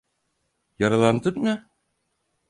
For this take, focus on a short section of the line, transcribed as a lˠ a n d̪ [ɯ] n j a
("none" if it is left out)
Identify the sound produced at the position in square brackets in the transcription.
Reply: ɯ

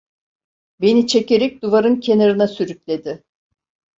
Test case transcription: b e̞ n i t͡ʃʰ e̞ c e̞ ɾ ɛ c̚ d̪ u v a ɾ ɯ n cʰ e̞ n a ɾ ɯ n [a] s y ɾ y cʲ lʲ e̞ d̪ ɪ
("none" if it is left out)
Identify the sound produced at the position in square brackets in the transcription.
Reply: a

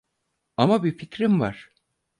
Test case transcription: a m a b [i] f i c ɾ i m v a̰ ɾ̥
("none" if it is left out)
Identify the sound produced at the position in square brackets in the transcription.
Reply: i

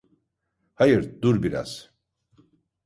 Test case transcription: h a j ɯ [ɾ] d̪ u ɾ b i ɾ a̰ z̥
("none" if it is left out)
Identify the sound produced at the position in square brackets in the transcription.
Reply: ɾ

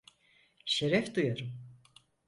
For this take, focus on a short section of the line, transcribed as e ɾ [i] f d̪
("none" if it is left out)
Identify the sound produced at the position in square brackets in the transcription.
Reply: ɛ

